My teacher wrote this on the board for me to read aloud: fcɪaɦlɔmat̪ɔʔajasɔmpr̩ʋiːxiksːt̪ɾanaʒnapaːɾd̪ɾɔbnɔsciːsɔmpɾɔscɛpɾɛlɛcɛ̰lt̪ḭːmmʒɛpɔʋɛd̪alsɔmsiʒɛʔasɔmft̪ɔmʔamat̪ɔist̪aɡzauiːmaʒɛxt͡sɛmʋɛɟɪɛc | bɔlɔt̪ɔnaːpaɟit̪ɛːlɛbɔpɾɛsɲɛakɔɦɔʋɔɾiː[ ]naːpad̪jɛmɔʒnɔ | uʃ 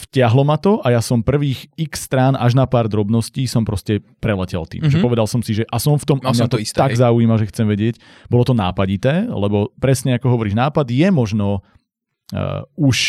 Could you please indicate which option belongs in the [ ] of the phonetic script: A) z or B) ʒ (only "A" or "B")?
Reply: B